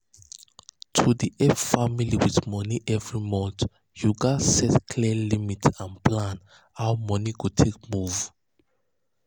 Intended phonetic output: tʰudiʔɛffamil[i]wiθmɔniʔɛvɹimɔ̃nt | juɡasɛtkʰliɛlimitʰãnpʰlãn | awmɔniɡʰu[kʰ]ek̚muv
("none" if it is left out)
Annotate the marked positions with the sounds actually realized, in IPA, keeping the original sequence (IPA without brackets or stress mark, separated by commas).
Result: i, tʰ